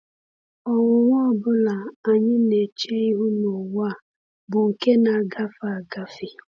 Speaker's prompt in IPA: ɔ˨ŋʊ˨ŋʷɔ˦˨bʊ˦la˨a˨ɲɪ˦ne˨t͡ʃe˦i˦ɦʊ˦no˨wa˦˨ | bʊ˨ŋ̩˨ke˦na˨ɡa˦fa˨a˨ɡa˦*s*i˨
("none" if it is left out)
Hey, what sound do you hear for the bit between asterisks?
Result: f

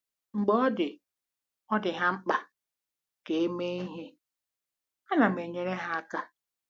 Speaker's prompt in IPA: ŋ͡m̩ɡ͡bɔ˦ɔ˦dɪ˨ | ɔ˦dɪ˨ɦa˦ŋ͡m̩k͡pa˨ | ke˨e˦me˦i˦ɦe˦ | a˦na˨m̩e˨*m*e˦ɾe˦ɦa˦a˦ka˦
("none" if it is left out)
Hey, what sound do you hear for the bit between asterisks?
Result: ɲ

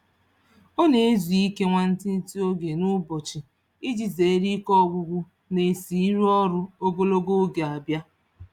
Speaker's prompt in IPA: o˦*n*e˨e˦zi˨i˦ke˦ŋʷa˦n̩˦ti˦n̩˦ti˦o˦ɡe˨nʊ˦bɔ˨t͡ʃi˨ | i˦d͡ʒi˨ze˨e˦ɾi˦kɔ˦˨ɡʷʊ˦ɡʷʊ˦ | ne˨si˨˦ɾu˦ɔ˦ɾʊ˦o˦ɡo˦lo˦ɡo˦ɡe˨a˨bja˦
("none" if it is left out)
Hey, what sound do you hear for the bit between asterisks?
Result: n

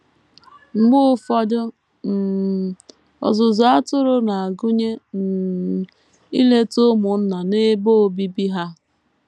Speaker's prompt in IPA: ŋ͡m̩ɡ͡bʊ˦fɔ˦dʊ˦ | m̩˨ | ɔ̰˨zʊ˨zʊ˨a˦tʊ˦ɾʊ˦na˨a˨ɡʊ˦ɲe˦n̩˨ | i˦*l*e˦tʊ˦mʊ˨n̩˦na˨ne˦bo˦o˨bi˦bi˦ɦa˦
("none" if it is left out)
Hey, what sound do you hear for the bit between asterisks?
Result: l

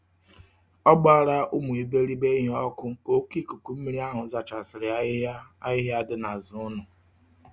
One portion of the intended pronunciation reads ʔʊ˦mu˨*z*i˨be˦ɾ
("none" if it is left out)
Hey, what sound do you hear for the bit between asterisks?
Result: none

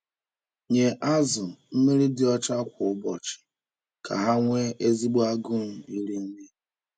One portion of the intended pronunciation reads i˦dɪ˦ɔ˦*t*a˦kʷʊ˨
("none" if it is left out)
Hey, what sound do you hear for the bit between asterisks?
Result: t͡ʃ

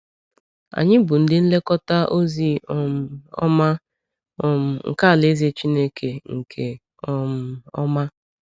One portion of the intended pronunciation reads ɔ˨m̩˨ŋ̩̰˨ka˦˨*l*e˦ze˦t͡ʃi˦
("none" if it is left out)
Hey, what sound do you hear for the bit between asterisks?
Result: l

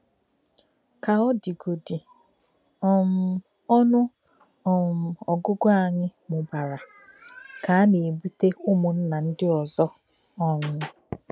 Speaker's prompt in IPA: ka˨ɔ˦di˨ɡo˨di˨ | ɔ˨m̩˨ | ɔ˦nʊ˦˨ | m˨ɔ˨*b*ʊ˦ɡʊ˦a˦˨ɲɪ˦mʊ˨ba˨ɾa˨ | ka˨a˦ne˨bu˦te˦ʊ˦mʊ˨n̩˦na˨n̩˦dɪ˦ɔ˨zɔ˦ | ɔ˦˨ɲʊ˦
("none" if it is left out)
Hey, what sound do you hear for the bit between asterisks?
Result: ɡ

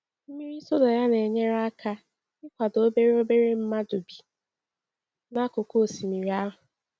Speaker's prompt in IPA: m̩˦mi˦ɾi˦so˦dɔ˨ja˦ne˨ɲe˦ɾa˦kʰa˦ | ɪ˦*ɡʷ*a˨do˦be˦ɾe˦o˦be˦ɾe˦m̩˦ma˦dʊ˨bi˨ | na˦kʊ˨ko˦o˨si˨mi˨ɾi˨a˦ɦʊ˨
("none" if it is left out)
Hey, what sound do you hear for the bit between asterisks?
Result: kʷ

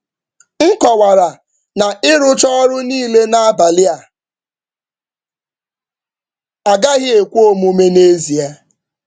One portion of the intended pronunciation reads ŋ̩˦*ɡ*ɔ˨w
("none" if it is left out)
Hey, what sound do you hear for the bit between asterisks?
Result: k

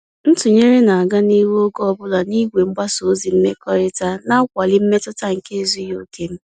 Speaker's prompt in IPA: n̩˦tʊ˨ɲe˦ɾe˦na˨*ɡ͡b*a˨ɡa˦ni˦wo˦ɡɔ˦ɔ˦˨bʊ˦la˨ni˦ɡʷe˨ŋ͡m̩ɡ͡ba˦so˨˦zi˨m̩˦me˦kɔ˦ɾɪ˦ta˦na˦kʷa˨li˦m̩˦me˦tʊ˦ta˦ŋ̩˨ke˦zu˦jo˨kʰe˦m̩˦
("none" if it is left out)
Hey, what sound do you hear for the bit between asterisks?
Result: none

